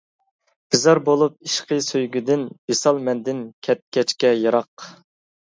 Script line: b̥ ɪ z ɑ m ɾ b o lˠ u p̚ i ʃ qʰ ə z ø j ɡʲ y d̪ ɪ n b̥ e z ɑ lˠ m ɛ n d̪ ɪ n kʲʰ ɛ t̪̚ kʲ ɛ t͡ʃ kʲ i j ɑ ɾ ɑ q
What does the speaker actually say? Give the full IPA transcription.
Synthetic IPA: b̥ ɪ z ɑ ɾ b o lˠ u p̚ i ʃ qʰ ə s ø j ɡʲ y d̪ ɪ n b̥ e s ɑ lˠ m ɛ n d̪ ɪ n kʲʰ ɛ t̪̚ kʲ ɛ t͡ʃ kʲ ɛ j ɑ ɾ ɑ q